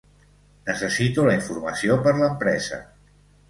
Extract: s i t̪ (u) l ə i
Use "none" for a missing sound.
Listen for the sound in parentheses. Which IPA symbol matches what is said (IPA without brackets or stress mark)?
u